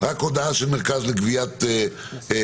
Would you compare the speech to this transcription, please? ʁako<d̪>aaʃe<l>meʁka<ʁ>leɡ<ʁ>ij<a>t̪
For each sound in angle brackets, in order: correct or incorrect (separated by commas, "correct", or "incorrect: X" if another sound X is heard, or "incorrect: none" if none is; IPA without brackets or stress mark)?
correct, correct, incorrect: z, incorrect: v, correct